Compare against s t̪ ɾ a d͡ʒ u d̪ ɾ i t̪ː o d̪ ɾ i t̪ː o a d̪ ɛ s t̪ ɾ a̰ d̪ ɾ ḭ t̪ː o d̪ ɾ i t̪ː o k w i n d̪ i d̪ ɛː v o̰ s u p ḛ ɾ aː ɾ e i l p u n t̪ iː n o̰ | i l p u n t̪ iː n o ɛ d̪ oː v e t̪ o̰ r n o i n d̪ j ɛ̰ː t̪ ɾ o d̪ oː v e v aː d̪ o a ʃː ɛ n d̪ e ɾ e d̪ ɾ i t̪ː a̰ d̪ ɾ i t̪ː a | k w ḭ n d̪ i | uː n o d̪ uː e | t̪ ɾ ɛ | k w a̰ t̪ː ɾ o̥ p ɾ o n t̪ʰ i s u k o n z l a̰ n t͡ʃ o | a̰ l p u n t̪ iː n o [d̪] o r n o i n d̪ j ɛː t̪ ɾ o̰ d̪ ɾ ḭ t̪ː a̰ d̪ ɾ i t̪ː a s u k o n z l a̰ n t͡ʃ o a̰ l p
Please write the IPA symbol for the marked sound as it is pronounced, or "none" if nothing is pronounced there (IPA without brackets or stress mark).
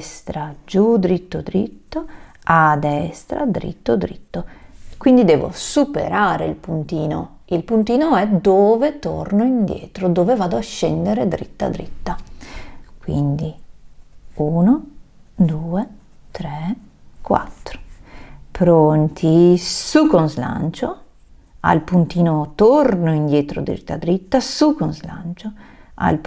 t̪